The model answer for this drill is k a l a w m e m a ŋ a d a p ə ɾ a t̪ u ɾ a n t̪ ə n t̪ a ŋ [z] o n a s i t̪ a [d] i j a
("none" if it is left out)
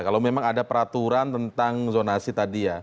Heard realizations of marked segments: z, d

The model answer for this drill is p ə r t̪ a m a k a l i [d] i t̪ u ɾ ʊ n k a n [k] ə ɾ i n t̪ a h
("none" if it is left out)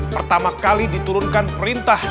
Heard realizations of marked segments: d, p

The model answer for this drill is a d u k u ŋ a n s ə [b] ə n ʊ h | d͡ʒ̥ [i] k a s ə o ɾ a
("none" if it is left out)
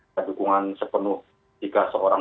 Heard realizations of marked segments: p, i

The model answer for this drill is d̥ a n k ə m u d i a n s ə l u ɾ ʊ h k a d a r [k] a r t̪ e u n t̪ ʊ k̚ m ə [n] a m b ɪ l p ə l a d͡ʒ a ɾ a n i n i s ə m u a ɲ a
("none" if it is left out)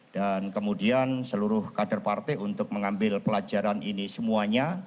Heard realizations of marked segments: p, ŋ

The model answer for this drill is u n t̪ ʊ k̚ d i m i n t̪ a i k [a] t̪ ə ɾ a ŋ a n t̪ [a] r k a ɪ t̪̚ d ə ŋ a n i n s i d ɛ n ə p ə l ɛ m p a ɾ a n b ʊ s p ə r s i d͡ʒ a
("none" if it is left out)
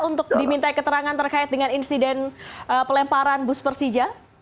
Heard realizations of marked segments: ə, ə

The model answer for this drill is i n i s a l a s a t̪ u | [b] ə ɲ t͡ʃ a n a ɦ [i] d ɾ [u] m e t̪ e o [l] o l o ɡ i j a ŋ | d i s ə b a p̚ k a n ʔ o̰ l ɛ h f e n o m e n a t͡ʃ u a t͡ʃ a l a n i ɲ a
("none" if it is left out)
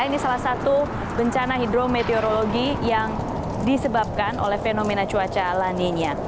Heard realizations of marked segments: b, i, o, ɾ

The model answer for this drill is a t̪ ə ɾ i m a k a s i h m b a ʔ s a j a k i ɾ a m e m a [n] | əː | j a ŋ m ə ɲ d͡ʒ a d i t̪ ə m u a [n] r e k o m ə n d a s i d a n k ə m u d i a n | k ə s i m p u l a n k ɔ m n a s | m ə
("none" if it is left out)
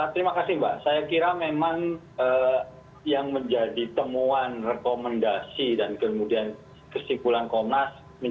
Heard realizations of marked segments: ŋ, n

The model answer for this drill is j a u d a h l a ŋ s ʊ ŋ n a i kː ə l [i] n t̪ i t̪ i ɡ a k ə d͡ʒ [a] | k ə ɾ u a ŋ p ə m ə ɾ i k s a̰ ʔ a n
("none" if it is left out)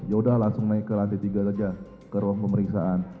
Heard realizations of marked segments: a, a

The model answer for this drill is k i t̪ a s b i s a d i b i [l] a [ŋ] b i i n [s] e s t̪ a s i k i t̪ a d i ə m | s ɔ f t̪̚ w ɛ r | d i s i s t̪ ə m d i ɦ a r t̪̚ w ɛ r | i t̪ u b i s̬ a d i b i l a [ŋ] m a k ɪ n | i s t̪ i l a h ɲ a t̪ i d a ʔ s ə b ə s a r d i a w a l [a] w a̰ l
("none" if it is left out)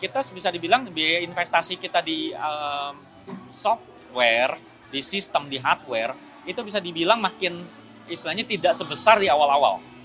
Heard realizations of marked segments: l, ŋ, f, ŋ, a

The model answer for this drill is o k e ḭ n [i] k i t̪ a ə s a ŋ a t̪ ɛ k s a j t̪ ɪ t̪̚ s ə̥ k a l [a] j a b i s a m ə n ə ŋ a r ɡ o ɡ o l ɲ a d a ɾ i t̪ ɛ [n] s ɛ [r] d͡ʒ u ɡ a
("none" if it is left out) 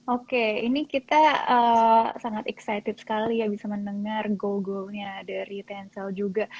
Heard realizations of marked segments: i, i, n, l

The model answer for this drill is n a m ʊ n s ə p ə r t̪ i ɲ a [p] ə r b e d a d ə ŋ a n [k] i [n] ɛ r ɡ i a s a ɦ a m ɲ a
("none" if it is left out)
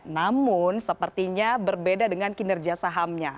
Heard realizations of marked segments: b, k, n

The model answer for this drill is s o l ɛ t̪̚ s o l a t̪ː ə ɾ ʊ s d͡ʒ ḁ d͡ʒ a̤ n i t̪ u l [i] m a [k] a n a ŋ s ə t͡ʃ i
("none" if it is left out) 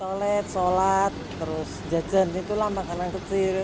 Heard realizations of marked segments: a, k

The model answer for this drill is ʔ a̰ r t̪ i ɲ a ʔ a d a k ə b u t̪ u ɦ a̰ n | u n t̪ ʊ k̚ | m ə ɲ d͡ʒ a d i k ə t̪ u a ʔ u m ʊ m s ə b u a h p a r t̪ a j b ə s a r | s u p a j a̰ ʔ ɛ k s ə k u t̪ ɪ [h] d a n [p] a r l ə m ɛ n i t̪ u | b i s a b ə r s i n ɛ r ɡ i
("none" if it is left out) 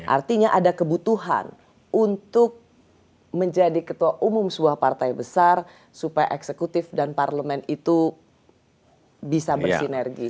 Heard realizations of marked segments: f, p

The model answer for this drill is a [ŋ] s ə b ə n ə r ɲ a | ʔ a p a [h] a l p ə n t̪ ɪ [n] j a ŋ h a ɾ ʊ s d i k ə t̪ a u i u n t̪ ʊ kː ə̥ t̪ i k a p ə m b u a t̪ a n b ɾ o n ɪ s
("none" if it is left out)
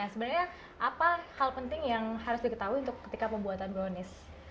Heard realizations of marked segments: none, h, ŋ

